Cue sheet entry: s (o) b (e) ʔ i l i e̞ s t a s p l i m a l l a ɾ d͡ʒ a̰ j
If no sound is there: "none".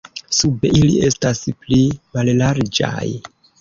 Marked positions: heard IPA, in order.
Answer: u, e

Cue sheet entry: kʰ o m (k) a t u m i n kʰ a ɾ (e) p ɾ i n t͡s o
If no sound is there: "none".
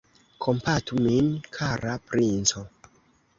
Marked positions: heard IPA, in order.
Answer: p, a

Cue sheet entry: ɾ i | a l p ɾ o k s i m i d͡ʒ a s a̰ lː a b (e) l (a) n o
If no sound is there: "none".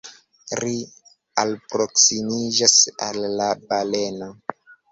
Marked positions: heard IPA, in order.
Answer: a, e

